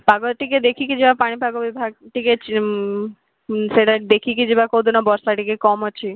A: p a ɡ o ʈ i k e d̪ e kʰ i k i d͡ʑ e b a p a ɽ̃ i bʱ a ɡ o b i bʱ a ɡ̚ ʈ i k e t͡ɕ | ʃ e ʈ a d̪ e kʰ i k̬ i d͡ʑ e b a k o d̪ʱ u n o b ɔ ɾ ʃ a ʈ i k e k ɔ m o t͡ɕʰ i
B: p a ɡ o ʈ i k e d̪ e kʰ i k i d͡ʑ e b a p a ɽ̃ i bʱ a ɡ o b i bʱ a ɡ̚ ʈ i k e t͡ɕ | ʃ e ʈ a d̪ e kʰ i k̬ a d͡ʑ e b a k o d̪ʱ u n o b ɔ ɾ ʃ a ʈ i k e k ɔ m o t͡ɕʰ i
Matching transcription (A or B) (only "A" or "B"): A